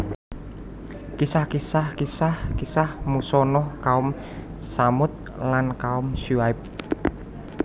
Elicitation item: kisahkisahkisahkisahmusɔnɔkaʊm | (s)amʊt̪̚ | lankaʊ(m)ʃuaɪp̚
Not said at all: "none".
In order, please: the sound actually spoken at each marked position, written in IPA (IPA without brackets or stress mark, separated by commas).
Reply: s, m